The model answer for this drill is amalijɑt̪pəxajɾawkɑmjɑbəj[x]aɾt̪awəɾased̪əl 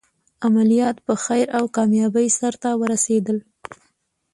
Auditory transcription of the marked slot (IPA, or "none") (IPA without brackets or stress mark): s